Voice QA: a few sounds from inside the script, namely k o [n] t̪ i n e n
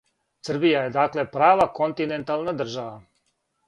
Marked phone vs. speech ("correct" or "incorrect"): correct